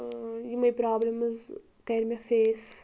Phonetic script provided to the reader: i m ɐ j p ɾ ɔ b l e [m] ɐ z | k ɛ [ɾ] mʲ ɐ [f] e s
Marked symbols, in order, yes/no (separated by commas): yes, yes, yes